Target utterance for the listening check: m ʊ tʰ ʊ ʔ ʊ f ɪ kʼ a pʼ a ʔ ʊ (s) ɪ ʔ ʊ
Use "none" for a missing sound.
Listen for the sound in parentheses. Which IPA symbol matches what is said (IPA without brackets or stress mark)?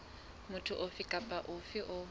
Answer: f